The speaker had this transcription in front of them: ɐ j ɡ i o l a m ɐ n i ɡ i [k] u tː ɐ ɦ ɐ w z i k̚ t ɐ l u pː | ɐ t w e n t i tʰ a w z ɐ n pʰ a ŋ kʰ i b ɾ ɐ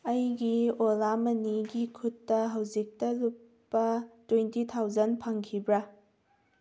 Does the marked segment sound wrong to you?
yes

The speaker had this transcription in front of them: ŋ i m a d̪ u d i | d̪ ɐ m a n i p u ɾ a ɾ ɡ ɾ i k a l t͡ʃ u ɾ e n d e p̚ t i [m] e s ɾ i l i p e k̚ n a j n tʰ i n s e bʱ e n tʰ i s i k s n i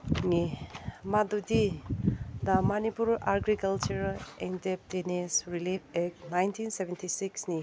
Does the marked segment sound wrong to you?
yes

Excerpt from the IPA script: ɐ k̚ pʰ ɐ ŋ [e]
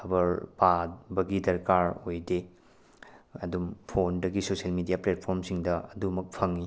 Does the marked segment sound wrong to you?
yes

